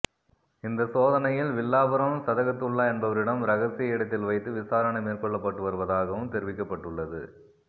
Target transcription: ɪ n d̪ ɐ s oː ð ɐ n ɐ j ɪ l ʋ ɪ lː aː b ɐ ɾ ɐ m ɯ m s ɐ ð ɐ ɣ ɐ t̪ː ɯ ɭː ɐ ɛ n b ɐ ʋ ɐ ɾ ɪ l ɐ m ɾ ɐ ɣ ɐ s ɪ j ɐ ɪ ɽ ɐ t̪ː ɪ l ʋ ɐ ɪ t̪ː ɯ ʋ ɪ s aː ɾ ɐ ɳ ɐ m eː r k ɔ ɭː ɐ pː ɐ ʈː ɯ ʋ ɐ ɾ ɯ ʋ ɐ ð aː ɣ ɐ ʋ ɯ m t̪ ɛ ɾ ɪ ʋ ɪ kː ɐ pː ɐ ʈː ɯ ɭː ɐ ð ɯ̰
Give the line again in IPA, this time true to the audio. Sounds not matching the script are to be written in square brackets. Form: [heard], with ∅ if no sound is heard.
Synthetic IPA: ɪ n d̪ ɐ s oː ð ɐ n ɐ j ɪ l ʋ ɪ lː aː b ɐ ɾ ɐ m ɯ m s ɐ ð ɐ ɣ ɐ t̪ː ɯ ɭː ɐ ɛ n b ɐ ʋ ɐ ɾ ɪ [ɽ] ɐ m ɾ ɐ ɣ ɐ s ɪ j ɐ ɪ ɽ ɐ t̪ː ɪ l ʋ ɐ ɪ t̪ː ɯ ʋ ɪ s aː ɾ ɐ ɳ ɐ m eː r k ɔ ɭː ɐ pː ɐ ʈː ɯ ʋ ɐ ɾ ɯ ʋ ɐ ð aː ɣ ɐ ʋ ɯ m t̪ ɛ ɾ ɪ ʋ ɪ kː ɐ pː ɐ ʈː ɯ ɭː ɐ ð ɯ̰